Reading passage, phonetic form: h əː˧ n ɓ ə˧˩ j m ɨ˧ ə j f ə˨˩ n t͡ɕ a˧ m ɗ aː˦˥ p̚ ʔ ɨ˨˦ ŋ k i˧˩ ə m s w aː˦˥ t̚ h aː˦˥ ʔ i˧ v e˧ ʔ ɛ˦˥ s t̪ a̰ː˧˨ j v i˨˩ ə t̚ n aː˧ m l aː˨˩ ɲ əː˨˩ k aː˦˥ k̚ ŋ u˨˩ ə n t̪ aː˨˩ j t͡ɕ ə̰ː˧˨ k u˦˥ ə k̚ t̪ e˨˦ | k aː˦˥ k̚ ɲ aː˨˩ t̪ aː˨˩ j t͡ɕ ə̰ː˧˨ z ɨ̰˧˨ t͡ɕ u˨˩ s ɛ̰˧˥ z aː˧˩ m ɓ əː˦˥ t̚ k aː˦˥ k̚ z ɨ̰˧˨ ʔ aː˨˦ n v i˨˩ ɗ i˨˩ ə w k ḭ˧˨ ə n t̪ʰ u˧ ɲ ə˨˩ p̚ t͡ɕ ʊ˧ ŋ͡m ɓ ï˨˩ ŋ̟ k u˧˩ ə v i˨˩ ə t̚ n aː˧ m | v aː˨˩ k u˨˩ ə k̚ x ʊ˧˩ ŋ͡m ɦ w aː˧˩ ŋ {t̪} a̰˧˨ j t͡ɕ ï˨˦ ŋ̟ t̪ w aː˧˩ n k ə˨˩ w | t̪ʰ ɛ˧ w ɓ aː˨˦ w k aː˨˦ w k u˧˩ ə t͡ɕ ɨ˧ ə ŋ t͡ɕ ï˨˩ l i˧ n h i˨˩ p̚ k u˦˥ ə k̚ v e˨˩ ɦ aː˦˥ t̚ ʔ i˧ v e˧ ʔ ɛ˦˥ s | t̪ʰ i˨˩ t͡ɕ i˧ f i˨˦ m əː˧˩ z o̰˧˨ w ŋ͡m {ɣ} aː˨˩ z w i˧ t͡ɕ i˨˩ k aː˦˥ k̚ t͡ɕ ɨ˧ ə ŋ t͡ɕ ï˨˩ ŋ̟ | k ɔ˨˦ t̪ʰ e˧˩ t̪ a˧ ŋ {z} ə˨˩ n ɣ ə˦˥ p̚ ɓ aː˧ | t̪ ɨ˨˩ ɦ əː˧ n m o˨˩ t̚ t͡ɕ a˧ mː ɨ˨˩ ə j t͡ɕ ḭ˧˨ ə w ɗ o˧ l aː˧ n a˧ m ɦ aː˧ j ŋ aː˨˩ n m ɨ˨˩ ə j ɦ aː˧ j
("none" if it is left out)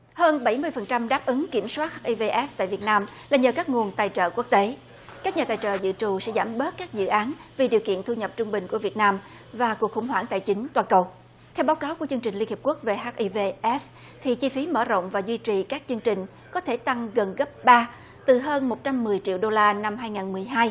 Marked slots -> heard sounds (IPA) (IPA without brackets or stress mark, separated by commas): t̪, v, ɣ